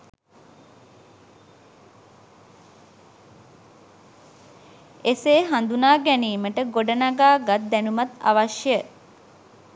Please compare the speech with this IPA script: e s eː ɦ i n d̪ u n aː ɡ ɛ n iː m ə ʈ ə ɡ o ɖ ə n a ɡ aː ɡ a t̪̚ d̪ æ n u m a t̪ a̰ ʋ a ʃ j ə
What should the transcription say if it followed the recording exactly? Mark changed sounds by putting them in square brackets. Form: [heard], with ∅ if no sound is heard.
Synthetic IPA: e s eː ɦ [a] n d̪ u n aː ɡ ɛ n iː m ə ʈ ə ɡ o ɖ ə n a ɡ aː ɡ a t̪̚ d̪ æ n u m a t̪ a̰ ʋ a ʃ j ə